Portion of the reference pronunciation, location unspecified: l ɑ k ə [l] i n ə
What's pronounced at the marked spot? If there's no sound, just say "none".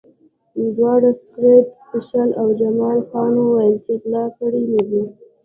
ɽ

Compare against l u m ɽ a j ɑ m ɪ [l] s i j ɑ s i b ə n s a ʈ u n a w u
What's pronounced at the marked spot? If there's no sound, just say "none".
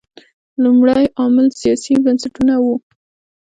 l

